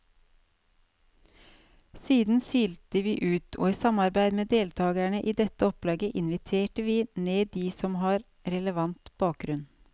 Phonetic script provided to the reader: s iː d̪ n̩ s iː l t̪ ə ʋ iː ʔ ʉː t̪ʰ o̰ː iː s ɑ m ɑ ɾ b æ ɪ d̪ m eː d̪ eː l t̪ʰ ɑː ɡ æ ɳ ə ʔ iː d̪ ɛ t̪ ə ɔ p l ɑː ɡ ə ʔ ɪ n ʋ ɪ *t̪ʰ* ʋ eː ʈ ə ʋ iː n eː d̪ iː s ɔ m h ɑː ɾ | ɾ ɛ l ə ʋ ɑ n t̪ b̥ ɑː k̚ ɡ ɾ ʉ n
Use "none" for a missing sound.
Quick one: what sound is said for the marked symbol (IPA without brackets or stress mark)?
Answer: t̪ʰ